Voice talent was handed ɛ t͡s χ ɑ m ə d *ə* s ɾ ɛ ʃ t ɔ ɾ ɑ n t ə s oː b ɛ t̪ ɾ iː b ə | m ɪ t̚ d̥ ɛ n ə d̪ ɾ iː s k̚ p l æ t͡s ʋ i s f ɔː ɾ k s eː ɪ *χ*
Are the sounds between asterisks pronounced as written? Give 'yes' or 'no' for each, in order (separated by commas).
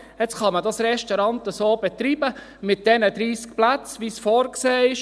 no, no